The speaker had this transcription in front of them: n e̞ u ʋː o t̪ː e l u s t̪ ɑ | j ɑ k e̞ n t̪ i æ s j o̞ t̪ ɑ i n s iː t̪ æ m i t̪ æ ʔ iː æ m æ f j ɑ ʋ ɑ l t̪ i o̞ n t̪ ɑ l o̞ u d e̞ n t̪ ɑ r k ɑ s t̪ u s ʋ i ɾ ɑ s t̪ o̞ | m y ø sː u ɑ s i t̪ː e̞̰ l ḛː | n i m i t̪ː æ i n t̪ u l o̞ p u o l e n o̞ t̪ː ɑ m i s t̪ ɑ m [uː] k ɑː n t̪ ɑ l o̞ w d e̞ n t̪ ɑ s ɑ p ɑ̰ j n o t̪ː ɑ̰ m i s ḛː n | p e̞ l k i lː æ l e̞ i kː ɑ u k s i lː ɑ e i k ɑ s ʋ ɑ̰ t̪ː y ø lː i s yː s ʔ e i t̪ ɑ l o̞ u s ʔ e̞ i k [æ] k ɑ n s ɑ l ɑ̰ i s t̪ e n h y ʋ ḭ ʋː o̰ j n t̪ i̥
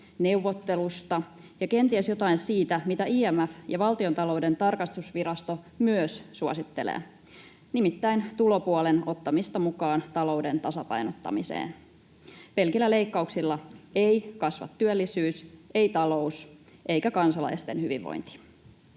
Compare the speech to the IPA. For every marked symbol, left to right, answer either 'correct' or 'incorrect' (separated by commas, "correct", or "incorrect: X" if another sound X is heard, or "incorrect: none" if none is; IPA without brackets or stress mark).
incorrect: u, correct